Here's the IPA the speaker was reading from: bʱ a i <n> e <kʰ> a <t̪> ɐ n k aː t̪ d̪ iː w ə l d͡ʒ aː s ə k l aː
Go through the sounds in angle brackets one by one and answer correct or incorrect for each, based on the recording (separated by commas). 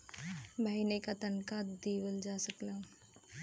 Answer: correct, incorrect, correct